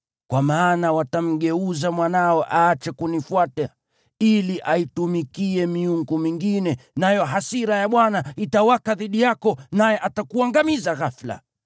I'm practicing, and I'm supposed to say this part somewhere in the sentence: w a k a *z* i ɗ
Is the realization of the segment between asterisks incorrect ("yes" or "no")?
yes